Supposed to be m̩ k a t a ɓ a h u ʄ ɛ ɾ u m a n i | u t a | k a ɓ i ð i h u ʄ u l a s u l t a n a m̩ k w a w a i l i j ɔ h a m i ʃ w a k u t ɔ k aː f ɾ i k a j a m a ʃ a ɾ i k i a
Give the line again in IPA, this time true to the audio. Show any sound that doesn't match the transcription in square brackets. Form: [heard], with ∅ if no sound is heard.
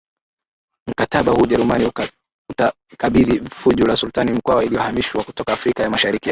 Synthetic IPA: m̩ k a t a ɓ a h u ʄ ɛ ɾ u m a n i | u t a | k a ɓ i ð i [f] u ʄ u l a s u l t a n [i] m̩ k w a w a i l i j ɔ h a m i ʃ w a k u t ɔ k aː f ɾ i k a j a m a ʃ a ɾ i k i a